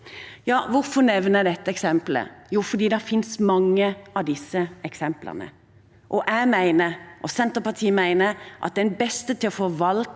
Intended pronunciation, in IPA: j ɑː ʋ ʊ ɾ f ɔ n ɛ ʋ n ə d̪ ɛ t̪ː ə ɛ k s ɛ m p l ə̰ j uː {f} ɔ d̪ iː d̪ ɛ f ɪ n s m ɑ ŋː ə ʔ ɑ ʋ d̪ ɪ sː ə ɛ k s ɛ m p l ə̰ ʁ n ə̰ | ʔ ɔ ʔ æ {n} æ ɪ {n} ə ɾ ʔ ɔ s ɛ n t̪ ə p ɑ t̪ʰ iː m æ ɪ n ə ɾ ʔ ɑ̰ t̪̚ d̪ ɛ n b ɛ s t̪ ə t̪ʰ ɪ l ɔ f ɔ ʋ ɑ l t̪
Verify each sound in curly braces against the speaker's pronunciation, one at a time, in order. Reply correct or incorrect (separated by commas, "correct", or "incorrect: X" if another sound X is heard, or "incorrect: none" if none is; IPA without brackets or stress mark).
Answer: correct, incorrect: m, correct